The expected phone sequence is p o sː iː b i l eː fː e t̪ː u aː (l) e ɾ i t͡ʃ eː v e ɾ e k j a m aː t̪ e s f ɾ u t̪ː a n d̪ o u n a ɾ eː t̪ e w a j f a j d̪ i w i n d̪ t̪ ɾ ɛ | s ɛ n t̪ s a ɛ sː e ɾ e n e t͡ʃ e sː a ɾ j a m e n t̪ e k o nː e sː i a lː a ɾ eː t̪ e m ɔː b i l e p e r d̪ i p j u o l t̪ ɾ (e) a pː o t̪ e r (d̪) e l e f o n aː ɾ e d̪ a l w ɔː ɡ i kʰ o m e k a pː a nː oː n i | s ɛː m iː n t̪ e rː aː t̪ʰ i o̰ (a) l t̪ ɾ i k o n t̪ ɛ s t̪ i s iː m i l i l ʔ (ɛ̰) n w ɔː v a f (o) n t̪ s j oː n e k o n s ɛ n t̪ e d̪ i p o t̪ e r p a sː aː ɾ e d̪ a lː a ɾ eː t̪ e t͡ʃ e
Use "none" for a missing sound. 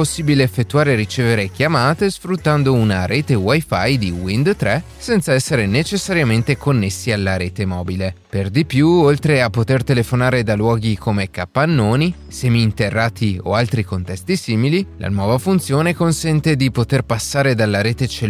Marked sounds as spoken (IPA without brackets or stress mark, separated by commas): ɾ, e, t̪, a, a̰, u